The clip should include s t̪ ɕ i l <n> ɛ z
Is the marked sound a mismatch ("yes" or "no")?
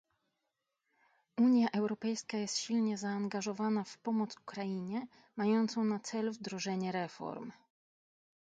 yes